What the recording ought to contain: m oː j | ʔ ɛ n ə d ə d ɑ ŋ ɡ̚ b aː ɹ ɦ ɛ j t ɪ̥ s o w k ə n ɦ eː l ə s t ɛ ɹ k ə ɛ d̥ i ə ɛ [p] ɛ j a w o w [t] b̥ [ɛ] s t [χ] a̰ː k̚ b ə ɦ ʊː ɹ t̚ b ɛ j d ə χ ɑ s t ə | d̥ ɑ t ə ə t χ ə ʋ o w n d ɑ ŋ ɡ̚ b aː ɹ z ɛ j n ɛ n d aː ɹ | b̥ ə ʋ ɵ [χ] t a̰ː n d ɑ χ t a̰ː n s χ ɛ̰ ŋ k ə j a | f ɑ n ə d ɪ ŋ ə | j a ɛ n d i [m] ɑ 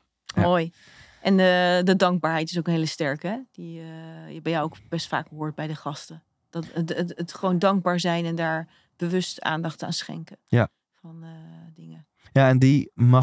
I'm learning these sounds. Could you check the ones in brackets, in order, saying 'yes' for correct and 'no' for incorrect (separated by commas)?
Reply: no, no, yes, no, no, yes